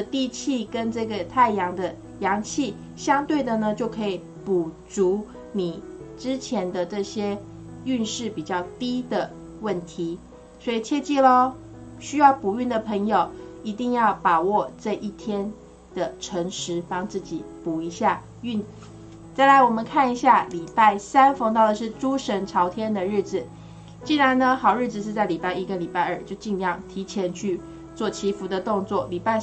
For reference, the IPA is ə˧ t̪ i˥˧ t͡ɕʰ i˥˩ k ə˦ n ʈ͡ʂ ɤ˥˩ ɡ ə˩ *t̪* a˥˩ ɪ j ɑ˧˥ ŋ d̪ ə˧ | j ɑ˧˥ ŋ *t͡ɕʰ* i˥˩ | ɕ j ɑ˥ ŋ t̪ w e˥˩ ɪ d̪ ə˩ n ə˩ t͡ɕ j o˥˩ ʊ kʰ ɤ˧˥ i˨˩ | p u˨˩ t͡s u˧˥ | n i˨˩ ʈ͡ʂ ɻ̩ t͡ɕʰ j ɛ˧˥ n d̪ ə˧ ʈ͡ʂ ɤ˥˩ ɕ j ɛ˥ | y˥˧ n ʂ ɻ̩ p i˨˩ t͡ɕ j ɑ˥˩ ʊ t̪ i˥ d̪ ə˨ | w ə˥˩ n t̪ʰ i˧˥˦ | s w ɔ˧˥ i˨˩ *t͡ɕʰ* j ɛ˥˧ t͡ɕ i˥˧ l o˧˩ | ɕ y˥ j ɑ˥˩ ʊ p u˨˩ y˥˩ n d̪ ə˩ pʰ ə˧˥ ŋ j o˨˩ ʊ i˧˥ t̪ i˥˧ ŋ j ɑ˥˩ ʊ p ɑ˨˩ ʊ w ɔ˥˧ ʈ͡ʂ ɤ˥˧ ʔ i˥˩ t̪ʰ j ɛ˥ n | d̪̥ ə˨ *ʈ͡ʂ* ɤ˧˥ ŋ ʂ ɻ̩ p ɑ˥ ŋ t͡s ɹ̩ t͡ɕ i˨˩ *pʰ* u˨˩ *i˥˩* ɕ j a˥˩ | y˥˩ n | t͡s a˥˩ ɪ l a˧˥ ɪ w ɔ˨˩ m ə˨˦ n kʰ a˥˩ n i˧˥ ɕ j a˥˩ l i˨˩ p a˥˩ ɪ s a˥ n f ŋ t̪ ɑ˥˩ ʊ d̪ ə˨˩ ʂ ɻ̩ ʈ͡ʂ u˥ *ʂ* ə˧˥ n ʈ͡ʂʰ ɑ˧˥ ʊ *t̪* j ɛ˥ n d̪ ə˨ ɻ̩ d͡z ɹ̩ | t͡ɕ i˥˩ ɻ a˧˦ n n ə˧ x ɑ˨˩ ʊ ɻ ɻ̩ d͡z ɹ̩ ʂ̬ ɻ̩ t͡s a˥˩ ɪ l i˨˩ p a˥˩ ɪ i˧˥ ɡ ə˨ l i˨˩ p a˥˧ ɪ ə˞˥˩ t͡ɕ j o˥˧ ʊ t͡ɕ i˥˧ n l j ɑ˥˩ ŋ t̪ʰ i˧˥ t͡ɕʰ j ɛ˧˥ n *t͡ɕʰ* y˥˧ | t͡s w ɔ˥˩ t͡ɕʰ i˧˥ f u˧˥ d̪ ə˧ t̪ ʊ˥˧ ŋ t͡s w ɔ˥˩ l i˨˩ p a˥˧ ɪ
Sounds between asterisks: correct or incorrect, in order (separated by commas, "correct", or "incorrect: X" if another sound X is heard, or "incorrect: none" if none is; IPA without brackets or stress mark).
incorrect: t̪ʰ, correct, correct, incorrect: ʈ͡ʂʰ, incorrect: p, incorrect: i˧˥, correct, incorrect: t̪ʰ, correct